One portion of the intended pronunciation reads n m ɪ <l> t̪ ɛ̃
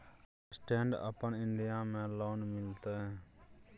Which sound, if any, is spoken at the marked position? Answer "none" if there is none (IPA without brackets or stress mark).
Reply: l